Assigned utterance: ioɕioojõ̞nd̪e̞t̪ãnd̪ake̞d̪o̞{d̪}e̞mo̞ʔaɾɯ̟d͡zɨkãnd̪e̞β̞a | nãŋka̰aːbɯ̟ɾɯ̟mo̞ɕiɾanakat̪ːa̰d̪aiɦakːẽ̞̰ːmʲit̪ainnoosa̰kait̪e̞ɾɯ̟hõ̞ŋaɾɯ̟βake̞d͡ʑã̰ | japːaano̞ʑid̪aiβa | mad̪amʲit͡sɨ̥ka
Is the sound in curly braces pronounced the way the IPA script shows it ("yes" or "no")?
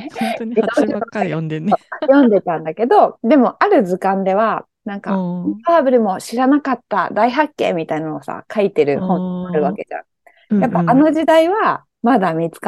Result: yes